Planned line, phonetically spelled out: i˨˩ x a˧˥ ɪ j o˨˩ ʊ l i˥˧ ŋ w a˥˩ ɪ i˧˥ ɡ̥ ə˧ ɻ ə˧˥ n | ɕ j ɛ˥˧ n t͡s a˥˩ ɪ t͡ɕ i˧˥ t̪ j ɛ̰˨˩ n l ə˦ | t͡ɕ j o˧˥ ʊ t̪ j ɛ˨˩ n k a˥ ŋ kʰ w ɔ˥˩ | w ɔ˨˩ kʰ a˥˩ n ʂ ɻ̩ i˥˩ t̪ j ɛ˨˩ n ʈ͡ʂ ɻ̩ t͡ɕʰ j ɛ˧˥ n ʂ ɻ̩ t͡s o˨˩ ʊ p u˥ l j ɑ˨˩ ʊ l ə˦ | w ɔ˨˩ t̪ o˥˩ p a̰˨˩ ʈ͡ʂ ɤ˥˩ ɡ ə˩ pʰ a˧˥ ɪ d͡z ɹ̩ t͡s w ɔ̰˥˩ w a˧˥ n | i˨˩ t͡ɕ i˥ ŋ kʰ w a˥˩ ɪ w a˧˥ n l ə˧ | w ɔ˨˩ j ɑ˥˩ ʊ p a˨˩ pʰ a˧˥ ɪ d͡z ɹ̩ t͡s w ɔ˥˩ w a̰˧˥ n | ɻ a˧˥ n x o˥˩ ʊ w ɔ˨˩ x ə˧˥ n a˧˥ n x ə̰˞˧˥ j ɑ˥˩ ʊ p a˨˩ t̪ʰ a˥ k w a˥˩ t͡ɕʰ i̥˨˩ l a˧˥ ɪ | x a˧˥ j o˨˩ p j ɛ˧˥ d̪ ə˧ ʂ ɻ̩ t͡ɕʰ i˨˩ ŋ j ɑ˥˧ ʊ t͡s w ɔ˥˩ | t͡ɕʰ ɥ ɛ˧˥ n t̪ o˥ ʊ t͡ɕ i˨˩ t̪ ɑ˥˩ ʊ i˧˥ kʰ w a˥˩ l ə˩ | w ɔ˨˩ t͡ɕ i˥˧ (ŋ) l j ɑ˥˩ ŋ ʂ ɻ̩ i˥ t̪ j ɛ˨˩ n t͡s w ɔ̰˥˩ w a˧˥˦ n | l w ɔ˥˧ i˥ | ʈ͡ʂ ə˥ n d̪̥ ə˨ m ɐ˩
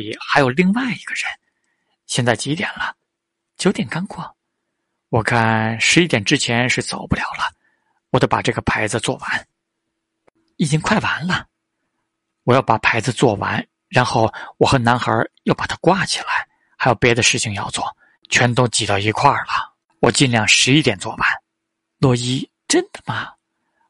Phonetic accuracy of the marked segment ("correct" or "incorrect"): incorrect